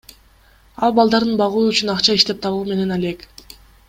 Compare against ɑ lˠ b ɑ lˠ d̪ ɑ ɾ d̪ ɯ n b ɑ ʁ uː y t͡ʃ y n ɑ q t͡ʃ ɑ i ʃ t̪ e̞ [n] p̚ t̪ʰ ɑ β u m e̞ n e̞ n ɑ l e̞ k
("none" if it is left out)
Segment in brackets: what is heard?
none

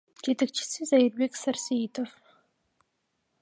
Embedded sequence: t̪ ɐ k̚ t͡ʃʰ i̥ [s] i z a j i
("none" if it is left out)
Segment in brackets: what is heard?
s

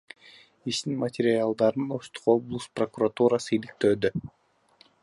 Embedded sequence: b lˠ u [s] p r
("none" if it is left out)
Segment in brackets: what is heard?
s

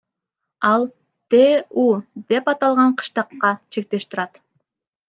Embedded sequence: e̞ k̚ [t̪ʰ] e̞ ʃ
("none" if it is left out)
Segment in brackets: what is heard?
t̪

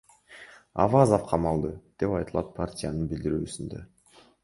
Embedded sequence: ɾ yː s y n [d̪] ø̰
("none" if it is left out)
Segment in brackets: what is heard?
d̪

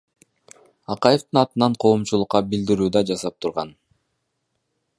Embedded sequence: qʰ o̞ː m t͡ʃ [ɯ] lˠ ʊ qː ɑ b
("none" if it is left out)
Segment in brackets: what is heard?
u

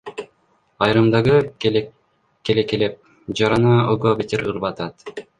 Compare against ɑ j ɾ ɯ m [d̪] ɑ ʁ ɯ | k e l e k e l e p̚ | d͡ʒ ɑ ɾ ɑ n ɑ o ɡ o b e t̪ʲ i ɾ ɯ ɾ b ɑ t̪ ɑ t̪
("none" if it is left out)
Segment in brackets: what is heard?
d̪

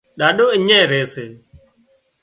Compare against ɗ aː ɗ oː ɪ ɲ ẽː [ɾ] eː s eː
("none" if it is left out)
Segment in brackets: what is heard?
ɾ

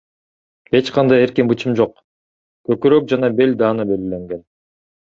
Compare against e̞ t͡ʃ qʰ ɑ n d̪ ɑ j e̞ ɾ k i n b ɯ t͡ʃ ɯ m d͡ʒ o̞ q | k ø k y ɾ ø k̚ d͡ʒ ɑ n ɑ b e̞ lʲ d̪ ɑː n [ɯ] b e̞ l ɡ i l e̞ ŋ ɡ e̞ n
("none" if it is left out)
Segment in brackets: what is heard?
ɯ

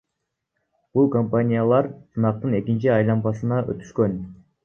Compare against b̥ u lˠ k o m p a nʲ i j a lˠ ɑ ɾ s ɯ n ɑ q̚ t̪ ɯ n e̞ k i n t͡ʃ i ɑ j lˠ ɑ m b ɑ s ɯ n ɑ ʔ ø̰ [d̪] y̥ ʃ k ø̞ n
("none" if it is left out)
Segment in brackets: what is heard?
t̪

